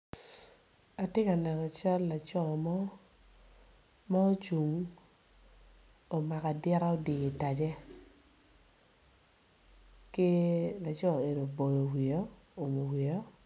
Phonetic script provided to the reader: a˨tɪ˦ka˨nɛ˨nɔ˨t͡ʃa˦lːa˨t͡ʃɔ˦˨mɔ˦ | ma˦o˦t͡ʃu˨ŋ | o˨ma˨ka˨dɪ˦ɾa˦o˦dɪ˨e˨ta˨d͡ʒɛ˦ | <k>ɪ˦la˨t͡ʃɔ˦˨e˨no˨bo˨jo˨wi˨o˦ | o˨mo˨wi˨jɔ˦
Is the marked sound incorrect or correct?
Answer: correct